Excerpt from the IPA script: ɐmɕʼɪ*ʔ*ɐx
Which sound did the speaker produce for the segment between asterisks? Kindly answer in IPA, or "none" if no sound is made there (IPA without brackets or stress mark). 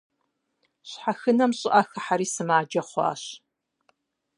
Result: ʔ